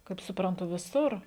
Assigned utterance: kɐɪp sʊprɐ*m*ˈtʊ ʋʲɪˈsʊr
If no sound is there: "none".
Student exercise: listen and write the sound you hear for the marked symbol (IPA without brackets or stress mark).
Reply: n